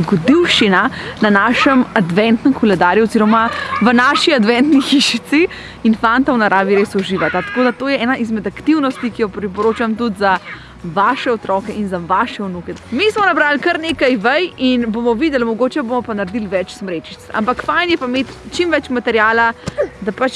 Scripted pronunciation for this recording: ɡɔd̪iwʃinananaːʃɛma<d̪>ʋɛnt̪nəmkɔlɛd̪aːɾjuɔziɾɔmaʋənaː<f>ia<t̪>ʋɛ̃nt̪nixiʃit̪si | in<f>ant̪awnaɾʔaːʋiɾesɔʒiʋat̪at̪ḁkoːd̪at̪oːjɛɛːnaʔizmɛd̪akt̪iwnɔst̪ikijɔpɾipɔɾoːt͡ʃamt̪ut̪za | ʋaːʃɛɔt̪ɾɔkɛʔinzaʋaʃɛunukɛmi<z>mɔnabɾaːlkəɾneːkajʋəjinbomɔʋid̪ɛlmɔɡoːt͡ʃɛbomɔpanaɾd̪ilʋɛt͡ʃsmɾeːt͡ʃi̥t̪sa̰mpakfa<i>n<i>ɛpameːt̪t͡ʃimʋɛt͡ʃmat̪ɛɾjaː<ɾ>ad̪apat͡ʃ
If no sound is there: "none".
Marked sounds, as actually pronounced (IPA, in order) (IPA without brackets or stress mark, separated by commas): d̪, ʃ, d̪, f, s, j, j, l